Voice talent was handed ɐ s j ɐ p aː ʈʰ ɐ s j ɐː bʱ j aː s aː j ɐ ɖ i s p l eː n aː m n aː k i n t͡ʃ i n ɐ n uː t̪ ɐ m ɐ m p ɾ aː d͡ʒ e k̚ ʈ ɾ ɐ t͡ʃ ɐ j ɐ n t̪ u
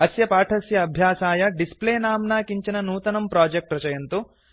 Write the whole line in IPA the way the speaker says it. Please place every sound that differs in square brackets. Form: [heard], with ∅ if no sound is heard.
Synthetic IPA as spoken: ɐ s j ɐ p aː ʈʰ ɐ s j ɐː bʱ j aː s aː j ɐ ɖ i s p l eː n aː m n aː k i [ɲ] t͡ʃ i n ɐ n uː t̪ ɐ [n] ɐ m p ɾ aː d͡ʒ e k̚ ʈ ɾ ɐ t͡ʃ ɐ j ɐ n t̪ u

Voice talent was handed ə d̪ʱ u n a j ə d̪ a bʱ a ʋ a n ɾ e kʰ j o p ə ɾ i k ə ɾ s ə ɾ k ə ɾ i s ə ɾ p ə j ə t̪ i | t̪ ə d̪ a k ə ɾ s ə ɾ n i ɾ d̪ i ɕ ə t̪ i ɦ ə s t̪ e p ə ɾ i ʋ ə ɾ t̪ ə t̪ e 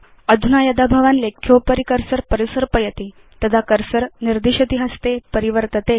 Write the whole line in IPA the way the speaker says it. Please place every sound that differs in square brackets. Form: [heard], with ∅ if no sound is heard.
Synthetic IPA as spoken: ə d̪ʱ u n a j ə d̪ a bʱ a ʋ a n [l] e kʰ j o p ə ɾ i k ə ɾ s ə ɾ [p] ə ɾ i s ə ɾ p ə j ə t̪ i | t̪ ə d̪ a k ə ɾ s ə ɾ n i ɾ d̪ i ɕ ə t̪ i ɦ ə s t̪ e p ə ɾ i ʋ ə ɾ t̪ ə t̪ e

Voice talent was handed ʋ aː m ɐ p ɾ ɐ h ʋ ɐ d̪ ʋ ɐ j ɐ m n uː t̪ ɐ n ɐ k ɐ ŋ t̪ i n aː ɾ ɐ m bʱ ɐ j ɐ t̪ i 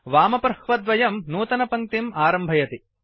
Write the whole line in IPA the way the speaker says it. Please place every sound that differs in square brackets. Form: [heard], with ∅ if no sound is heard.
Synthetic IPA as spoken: ʋ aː m ɐ p ɾ ɐ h ʋ ɐ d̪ ʋ ɐ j ɐ m n uː t̪ ɐ n ɐ [p] ɐ ŋ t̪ i [m] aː ɾ ɐ m bʱ ɐ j ɐ t̪ i

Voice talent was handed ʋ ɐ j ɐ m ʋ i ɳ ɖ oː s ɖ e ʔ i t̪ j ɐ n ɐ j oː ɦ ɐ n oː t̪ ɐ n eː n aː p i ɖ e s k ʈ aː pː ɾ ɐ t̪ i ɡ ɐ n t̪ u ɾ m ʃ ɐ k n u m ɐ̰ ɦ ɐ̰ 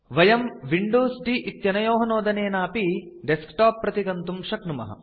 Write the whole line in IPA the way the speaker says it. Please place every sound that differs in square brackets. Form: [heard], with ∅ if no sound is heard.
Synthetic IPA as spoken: ʋ ɐ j ɐ m ʋ i ɳ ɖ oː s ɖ [i] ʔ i t̪ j ɐ n ɐ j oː ɦ ɐ n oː [d̪] ɐ n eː n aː p i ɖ e s k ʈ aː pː ɾ ɐ t̪ i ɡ ɐ n t̪ u [∅] m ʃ ɐ k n u m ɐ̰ ɦ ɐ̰

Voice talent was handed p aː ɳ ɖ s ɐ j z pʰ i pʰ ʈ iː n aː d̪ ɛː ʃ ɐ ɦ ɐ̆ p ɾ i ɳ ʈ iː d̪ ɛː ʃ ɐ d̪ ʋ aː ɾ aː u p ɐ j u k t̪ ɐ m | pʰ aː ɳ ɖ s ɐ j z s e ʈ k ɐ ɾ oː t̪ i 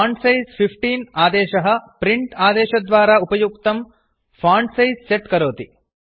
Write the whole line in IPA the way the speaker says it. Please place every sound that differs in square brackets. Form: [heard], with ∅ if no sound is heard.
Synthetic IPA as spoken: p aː ɳ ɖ s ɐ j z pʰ i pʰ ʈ iː n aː d̪ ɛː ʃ ɐ ɦ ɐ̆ p ɾ i ɳ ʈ [aː] d̪ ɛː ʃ ɐ d̪ ʋ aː ɾ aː u p ɐ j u k t̪ ɐ m | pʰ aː ɳ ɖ s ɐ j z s e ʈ k ɐ ɾ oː t̪ i

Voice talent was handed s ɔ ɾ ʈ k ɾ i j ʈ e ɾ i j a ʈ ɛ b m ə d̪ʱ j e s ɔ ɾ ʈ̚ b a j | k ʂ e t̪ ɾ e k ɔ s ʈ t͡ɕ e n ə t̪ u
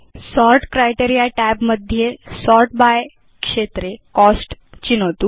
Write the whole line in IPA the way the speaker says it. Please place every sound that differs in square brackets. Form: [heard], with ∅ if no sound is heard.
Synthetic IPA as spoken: s ɔ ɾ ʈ k ɾ [a] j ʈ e ɾ i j a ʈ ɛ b m ə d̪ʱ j e s ɔ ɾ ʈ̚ b a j | k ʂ e t̪ ɾ e k ɔ s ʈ t͡ɕ [i] n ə t̪ u

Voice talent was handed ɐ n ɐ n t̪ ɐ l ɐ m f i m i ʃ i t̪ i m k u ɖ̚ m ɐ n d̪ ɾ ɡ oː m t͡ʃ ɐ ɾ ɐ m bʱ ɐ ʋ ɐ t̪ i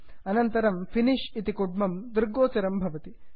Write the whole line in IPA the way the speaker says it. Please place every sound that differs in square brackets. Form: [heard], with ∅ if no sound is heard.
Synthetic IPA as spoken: ɐ n ɐ n t̪ ɐ [ɾ] ɐ m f i [n] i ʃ i t̪ i [∅] k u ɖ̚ m ɐ [m] d̪ ɾ ɡ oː [∅] t͡ʃ ɐ ɾ ɐ m bʱ ɐ ʋ ɐ t̪ i

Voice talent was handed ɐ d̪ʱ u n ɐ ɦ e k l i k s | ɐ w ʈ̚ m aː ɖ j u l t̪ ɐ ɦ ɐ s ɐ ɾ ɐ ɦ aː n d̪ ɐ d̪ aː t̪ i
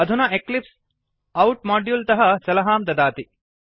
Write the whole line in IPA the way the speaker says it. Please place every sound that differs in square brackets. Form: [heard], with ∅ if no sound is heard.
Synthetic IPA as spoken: ɐ d̪ʱ u n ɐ [∅] e k l i [p] s | ɐ w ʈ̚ m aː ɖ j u l t̪ ɐ ɦ ɐ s ɐ [l] ɐ ɦ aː [m] d̪ ɐ d̪ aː t̪ i

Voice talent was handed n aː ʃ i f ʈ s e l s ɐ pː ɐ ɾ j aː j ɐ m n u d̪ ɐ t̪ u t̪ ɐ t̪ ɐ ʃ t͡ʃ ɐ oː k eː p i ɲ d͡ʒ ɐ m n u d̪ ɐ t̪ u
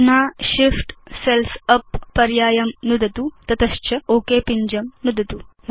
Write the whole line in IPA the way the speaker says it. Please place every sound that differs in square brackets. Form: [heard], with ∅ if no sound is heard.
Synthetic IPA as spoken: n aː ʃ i f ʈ s e l s ɐ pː ɐ ɾ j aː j ɐ m n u d̪ ɐ t̪ u t̪ ɐ t̪ ɐ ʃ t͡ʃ ɐ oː k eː p i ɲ d͡ʒ ɐ m n u d̪ ɐ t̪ u

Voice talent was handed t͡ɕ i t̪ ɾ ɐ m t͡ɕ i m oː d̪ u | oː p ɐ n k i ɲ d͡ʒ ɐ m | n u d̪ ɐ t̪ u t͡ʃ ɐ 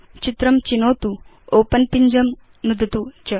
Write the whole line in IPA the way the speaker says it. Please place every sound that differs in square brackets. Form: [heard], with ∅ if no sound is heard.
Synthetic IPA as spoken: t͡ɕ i t̪ ɾ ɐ m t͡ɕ i [n] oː [t̪] u | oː p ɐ n [p] i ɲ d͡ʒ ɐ m | n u d̪ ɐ t̪ u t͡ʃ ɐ

